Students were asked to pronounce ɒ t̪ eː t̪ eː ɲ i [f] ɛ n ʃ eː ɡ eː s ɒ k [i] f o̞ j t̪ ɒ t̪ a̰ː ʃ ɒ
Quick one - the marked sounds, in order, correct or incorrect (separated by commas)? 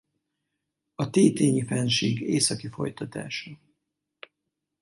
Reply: correct, correct